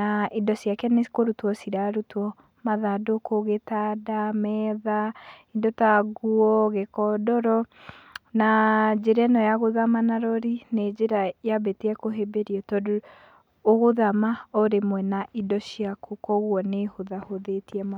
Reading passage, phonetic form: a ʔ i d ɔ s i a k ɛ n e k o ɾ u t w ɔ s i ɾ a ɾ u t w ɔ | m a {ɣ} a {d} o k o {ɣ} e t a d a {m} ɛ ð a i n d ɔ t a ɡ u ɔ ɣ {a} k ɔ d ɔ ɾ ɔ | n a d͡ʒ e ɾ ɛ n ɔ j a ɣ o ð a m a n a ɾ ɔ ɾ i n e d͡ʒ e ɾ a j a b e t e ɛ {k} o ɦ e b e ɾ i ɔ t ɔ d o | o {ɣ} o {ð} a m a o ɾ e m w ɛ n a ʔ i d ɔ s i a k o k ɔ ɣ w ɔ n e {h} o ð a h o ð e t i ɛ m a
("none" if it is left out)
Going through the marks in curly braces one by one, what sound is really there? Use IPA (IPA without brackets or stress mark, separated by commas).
ð, d, ɣ, m, e, k, ɣ, ð, h